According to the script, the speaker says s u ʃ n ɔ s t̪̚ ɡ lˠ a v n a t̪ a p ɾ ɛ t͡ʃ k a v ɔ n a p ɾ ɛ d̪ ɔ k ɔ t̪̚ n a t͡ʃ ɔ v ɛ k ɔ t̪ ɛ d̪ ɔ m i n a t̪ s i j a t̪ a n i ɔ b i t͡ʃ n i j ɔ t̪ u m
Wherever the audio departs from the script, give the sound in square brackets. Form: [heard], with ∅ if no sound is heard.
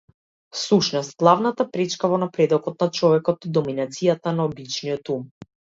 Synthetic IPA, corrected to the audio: s u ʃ n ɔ s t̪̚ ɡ lˠ a v n a t̪ a p ɾ ɛ t͡ʃ k a v ɔ n a p ɾ ɛ d̪ ɔ k ɔ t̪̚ n a t͡ʃ ɔ v ɛ k ɔ t̪ [i] d̪ ɔ m i n a t̪ s i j a t̪ a n [a] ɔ b i t͡ʃ n i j ɔ t̪ u m